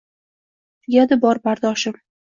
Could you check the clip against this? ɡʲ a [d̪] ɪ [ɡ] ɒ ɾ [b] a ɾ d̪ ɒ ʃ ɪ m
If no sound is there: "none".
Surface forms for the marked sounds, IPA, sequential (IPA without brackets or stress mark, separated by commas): d̪, b, b